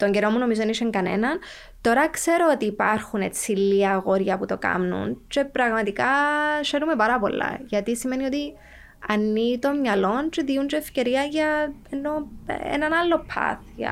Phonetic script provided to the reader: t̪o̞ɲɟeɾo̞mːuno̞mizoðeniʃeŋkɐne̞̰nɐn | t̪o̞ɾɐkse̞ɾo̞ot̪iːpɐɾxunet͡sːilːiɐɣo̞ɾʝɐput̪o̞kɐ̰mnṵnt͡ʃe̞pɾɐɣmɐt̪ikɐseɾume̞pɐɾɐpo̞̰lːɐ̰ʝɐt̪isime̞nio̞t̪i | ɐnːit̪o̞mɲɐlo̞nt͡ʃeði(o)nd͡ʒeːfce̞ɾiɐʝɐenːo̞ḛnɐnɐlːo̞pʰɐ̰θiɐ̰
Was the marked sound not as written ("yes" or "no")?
yes